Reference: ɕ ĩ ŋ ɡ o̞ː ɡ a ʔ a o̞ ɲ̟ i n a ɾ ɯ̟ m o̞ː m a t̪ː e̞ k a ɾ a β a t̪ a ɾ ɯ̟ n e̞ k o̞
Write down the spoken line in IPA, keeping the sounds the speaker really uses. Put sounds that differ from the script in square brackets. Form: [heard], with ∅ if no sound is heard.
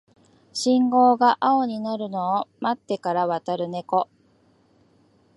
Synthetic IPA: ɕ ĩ ŋ ɡ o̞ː ɡ a ʔ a o̞ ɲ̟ i n a ɾ ɯ̟ [n] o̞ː m a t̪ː e̞ k a ɾ a β a t̪ a ɾ ɯ̟ n e̞ k o̞